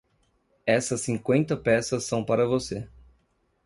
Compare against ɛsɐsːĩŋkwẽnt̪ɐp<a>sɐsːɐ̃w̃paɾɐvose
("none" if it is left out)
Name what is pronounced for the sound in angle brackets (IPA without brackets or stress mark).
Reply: ɛ